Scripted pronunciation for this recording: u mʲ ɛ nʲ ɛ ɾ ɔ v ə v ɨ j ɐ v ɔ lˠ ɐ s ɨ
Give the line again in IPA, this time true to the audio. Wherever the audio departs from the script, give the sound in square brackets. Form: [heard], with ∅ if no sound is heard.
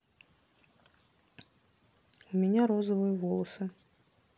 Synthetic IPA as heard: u mʲ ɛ nʲ [a] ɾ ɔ [z] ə v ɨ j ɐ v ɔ lˠ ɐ s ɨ